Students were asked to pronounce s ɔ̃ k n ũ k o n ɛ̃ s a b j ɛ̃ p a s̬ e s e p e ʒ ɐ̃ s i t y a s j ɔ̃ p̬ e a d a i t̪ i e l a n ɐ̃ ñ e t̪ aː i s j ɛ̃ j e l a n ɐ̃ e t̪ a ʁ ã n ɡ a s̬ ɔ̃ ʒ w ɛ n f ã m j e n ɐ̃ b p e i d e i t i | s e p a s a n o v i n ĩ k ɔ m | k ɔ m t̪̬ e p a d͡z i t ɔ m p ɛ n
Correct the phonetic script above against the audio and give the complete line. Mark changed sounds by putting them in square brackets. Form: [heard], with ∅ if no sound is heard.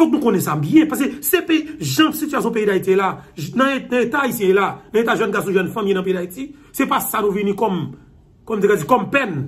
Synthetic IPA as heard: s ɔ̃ k n ũ k o n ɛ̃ s a b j ɛ̃ p a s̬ e s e p e ʒ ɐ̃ s i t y a s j ɔ̃ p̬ e [i] d a i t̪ i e l a n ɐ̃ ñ e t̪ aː i s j ɛ̃ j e l a n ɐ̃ e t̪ a [ʒ] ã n ɡ a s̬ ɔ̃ ʒ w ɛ n f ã m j e n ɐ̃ [∅] p e i d [a] i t i | s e p a s a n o v i n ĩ k ɔ m | k ɔ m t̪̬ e [k] a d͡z i [k] ɔ m p ɛ n